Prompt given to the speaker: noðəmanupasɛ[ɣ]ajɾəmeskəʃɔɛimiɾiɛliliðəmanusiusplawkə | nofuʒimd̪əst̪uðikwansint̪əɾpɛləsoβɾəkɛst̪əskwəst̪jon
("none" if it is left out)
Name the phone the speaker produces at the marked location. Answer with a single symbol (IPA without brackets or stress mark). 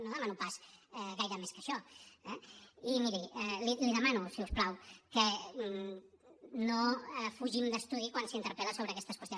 ɣ